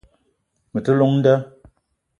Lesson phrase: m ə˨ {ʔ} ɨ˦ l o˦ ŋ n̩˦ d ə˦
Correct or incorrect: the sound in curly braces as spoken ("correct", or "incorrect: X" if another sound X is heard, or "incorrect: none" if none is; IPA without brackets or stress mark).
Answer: incorrect: t